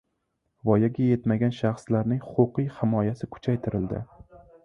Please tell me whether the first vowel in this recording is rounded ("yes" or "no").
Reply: yes